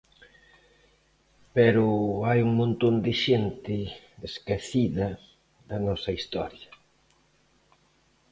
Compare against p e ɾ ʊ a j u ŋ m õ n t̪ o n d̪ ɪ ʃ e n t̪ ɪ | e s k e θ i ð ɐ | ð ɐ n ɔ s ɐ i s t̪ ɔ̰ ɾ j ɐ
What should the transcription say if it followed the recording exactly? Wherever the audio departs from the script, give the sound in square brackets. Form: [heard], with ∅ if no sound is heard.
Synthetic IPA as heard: p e ɾ ʊ a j u ŋ m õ n t̪ o n d̪ ɪ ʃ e n t̪ ɪ | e s k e θ i ð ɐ | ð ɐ n ɔ s ɐ i s t̪ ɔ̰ ɾ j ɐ